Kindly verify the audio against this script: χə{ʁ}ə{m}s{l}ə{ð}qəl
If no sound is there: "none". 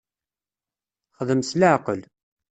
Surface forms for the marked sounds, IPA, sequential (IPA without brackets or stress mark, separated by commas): ð, m, l, ʕ